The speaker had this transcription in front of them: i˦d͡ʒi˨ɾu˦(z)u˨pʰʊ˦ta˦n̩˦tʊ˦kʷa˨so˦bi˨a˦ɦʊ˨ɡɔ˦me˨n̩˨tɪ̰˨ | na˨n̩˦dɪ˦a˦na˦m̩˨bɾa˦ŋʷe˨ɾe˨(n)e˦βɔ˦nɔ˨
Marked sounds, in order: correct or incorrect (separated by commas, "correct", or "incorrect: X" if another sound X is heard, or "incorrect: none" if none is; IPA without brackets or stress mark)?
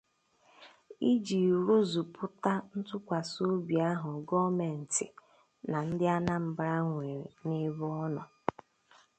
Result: correct, correct